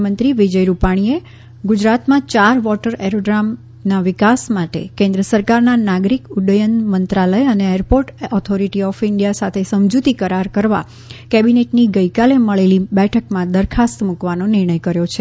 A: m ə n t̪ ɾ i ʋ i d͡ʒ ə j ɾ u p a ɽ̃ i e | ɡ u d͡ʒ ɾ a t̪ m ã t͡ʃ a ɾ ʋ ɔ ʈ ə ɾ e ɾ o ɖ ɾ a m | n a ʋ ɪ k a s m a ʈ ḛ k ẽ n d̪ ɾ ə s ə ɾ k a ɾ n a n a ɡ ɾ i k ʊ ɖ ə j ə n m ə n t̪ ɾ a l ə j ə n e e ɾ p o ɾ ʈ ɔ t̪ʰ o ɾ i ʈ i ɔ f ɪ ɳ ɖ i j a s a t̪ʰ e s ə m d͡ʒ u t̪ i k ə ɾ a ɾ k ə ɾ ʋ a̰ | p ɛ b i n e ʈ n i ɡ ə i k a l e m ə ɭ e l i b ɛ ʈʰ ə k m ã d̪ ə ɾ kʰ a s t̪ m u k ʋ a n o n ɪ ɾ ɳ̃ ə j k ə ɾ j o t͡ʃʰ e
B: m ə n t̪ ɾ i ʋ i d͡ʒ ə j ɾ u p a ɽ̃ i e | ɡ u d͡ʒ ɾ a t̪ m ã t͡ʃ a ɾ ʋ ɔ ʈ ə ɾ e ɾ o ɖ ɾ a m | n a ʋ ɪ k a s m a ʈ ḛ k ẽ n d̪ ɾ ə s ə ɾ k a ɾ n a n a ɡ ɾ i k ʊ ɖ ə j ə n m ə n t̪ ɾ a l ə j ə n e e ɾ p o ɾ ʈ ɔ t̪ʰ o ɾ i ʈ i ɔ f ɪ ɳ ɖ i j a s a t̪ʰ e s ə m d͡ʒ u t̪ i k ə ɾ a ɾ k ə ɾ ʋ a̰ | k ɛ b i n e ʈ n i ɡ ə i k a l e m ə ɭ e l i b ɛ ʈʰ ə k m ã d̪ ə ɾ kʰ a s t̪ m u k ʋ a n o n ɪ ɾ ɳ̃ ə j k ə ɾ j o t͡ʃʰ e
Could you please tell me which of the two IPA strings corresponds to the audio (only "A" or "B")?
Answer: B